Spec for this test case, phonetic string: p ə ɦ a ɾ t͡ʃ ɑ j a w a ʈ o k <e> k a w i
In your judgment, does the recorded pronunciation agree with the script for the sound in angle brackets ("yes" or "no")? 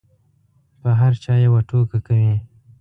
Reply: no